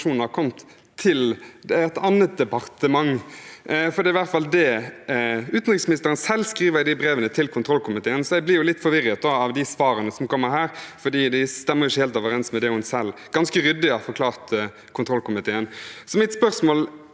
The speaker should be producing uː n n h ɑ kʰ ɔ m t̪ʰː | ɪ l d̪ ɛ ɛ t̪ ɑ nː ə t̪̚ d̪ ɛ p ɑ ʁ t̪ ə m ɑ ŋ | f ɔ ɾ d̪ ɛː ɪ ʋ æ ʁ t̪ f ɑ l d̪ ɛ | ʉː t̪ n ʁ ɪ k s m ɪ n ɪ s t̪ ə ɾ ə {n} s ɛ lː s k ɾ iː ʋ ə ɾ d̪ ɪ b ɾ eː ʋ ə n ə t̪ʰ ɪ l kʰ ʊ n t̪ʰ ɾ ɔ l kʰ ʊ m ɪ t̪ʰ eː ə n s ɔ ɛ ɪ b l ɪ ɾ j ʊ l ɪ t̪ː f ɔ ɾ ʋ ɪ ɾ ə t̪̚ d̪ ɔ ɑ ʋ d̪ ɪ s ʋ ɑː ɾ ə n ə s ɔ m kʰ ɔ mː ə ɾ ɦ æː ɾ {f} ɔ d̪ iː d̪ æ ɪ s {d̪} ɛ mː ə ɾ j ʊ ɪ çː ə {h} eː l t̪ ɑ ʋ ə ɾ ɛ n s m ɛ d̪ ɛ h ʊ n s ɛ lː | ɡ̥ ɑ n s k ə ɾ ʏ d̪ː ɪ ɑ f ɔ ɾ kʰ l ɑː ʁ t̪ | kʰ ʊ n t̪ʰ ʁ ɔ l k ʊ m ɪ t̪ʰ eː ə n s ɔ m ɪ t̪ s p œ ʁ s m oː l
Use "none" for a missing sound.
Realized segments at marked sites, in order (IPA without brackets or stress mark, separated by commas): n, f, t̪, h